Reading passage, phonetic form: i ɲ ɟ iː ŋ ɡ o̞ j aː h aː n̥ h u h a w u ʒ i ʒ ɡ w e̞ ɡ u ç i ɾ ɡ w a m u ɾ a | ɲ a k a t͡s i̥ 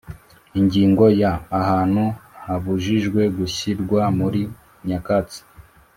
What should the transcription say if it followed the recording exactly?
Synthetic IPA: i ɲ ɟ iː ŋ ɡ o̞ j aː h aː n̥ h u h a β u ʒ i ʒ ɡ w e̞ ɡ u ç i ɾ ɡ w a m u ɾ i | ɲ a k a t͡s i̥